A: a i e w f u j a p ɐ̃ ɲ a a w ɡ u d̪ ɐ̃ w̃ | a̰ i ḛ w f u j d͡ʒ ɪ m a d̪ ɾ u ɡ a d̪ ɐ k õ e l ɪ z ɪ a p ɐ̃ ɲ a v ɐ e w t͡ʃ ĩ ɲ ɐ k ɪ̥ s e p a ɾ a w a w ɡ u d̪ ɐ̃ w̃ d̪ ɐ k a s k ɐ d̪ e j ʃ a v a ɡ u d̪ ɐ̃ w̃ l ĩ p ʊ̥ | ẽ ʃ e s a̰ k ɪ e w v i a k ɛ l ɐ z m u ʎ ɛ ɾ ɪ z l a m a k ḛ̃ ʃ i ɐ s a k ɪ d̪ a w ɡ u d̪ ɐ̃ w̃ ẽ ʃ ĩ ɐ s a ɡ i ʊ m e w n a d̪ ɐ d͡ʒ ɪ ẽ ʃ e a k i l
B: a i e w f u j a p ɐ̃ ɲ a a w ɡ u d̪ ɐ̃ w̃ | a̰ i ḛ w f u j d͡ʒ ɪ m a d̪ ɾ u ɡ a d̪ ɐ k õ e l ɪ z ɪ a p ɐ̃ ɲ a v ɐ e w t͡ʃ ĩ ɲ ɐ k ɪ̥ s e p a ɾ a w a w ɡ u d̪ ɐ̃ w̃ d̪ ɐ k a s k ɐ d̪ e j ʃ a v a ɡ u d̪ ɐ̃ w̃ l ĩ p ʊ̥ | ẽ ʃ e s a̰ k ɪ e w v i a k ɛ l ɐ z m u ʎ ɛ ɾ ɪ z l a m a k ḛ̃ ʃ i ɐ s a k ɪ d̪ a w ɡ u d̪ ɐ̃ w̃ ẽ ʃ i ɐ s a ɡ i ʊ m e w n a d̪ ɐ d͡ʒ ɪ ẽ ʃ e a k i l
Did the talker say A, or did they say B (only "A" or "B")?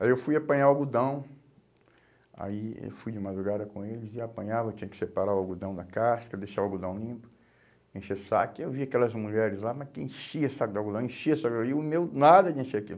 B